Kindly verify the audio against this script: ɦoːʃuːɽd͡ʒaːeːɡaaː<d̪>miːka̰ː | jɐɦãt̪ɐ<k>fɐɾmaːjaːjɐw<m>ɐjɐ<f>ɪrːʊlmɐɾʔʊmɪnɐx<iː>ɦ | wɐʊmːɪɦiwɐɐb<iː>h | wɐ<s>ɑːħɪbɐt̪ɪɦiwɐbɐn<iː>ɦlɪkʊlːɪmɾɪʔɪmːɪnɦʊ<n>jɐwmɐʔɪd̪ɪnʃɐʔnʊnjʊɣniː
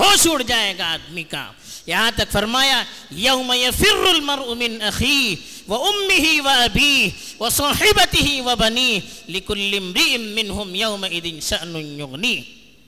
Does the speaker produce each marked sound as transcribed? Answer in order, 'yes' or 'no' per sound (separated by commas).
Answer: yes, yes, yes, yes, yes, yes, yes, yes, no